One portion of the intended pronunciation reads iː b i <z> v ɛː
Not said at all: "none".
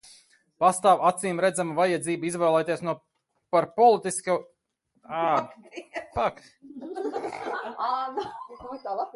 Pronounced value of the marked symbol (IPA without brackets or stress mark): z